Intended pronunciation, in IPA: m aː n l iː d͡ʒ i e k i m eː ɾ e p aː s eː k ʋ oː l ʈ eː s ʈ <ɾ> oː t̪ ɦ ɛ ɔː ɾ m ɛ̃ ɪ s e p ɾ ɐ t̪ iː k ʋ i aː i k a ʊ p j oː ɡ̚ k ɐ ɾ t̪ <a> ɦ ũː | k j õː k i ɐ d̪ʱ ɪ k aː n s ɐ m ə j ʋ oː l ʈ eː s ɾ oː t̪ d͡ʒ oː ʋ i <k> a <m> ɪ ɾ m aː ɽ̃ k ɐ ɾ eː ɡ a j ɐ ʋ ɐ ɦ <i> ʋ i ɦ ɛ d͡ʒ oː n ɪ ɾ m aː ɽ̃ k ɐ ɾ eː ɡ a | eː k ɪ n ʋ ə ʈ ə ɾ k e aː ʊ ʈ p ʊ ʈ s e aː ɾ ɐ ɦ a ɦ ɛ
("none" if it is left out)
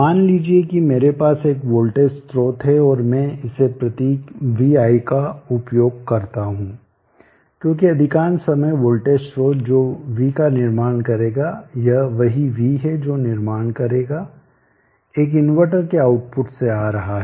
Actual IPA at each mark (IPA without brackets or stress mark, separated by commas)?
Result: ɾ, a, k, n, i